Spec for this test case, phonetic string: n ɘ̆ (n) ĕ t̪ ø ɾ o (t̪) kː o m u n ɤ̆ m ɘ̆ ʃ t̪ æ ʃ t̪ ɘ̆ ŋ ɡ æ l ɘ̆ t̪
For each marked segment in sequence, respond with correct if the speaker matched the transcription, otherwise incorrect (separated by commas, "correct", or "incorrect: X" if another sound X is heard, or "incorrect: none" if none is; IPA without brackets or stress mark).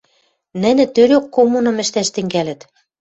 correct, incorrect: none